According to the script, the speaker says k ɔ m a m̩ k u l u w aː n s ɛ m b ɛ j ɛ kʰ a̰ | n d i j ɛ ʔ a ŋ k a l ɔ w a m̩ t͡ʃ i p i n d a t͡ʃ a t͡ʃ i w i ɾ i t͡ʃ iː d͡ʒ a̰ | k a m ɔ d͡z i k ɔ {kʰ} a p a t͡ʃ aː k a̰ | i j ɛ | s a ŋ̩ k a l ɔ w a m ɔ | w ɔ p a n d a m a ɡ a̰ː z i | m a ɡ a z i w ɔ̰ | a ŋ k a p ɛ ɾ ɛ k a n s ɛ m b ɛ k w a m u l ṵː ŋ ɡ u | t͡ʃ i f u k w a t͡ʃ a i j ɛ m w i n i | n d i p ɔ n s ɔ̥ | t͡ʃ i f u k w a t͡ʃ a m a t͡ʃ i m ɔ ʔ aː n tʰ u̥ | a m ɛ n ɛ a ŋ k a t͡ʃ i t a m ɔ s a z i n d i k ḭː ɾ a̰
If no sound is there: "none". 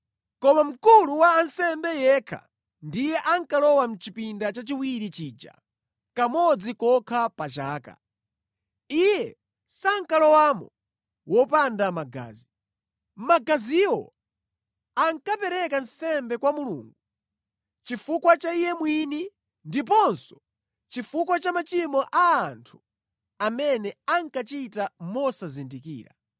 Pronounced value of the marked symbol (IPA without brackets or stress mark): kʰ